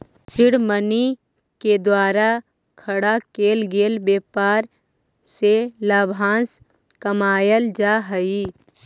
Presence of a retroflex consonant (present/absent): present